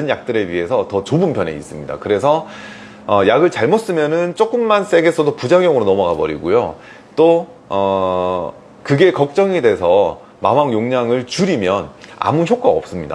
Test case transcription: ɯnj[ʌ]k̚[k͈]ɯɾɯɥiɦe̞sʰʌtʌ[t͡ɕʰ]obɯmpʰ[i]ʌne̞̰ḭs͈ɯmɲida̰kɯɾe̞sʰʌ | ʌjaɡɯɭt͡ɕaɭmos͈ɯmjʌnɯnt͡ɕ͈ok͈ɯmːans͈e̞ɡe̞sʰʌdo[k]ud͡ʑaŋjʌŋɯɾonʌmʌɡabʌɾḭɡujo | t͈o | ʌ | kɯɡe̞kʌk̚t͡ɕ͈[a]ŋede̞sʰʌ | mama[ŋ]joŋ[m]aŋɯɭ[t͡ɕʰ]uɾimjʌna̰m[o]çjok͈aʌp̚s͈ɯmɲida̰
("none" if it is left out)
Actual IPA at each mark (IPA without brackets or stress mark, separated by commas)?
a, t͈, t͡ɕ, j, p, ʌ, ŋ, ɲ, t͡ɕ, u